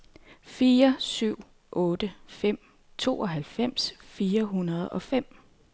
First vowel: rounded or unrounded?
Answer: unrounded